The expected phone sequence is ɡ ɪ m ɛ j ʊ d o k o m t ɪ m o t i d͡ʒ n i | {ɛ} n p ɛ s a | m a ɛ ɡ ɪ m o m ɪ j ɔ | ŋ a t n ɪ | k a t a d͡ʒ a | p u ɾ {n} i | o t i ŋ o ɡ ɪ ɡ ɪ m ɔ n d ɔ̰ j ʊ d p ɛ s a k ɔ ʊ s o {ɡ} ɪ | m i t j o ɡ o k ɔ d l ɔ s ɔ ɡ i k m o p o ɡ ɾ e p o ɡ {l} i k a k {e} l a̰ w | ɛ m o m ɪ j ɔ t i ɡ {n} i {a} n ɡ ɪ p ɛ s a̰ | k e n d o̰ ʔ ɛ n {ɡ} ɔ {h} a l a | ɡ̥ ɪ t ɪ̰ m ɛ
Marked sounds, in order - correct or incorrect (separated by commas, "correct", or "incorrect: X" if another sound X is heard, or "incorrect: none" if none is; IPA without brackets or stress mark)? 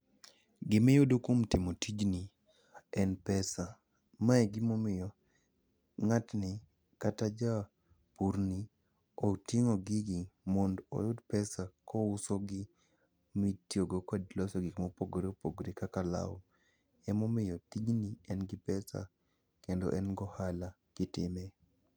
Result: correct, correct, correct, incorrect: ɾ, incorrect: a, correct, incorrect: ɛ, correct, correct